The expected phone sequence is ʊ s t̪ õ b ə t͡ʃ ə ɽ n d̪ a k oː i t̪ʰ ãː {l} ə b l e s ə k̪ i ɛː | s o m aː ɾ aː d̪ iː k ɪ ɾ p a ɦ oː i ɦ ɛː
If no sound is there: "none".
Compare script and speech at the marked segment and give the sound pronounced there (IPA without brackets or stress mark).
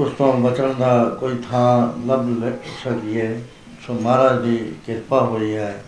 l